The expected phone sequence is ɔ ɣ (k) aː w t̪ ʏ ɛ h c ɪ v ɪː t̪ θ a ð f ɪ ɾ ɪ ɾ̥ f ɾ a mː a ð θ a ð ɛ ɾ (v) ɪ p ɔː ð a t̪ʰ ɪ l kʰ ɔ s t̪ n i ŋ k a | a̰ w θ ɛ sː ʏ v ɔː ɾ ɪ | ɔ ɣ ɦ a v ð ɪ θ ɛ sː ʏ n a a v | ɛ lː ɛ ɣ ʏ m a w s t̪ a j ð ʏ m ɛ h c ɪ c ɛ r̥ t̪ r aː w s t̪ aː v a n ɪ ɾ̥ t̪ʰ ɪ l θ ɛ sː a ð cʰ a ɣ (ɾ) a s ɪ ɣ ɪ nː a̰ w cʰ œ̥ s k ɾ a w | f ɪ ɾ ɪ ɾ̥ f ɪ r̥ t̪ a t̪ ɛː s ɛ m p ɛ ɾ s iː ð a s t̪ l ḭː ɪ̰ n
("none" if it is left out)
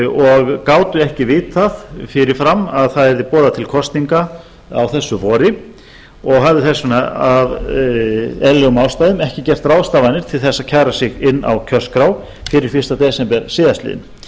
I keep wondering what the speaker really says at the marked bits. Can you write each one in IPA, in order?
k, ð, ɾ

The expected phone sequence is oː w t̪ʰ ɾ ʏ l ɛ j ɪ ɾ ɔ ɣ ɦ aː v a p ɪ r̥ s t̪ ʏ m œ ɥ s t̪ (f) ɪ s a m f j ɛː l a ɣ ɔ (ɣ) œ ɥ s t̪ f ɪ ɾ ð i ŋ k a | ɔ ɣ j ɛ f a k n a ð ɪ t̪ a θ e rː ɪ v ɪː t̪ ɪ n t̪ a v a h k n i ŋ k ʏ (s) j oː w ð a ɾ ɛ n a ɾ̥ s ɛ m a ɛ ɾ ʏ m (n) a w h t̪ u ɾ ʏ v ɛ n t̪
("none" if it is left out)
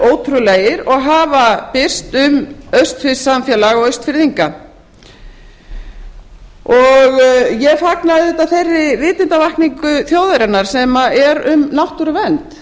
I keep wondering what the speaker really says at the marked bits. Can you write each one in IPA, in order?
f, ɣ, θ, n

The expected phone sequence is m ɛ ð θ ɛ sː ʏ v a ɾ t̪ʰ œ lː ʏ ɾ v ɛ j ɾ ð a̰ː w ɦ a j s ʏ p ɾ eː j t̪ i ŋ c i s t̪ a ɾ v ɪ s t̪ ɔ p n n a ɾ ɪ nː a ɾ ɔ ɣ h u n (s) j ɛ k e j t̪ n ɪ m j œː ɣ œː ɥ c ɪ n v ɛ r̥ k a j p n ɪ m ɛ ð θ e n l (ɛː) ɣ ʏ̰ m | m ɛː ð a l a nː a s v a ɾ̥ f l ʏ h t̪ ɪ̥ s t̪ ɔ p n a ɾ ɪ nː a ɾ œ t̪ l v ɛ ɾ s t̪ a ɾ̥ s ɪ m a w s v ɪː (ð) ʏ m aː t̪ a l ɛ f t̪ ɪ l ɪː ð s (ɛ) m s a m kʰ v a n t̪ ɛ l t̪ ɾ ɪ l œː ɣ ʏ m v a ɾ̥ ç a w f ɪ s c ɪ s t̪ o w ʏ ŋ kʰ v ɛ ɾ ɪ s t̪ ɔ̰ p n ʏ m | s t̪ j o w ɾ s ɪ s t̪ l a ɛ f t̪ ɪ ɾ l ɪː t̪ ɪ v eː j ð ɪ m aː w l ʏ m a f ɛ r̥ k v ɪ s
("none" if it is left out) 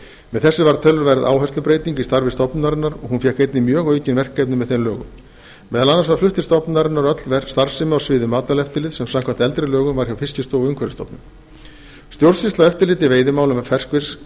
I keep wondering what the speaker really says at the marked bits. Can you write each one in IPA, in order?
f, œː, ð, ɛ

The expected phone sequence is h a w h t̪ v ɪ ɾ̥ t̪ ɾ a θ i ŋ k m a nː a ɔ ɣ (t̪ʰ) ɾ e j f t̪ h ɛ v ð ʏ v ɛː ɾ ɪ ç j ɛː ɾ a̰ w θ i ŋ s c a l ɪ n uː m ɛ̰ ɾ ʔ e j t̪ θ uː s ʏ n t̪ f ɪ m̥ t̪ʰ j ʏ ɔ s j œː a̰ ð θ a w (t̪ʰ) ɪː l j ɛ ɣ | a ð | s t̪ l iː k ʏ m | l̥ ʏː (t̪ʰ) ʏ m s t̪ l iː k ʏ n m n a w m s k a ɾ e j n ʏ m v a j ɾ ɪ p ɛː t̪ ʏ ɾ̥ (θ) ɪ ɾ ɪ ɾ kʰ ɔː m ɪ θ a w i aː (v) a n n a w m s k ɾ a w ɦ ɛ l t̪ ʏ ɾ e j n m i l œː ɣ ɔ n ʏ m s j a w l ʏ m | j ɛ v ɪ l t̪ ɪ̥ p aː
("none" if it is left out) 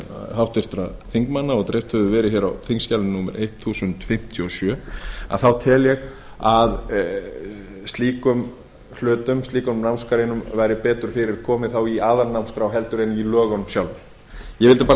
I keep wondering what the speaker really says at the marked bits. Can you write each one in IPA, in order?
t̪, t̪ʰ, t̪, f, ð

